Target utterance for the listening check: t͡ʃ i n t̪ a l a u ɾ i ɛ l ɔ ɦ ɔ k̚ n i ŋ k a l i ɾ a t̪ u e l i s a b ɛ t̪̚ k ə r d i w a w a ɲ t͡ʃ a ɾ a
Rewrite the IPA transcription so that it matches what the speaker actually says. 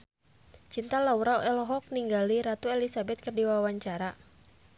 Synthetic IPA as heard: t͡ʃ i n t̪ a l a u ɾ a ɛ l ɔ ɦ ɔ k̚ n i ŋ ɡ a l i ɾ a t̪ u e l i s a b ɛ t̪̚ k ə r d i w a w a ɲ t͡ʃ a ɾ a